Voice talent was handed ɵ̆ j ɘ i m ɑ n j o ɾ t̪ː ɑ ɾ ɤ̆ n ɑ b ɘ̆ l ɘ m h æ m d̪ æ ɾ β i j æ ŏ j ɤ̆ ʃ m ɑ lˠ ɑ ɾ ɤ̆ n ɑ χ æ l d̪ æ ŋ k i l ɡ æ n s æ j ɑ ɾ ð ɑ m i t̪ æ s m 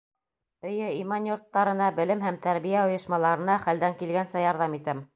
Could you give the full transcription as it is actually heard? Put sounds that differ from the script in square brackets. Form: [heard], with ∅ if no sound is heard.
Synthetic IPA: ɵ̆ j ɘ i m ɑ n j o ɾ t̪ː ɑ ɾ ɤ̆ n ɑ b ɘ̆ l ɘ m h æ m [t̪] æ ɾ β i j æ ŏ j ɤ̆ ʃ m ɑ lˠ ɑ ɾ ɤ̆ n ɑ χ æ l d̪ æ ŋ k i l ɡ æ n s æ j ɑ ɾ ð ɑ m i t̪ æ [∅] m